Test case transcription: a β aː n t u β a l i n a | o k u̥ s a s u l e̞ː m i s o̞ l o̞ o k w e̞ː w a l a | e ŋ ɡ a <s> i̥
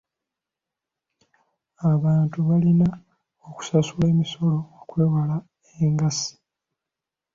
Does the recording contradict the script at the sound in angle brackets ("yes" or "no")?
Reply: no